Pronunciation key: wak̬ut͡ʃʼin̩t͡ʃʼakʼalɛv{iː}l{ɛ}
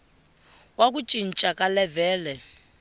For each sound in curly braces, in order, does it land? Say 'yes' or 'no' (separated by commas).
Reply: no, yes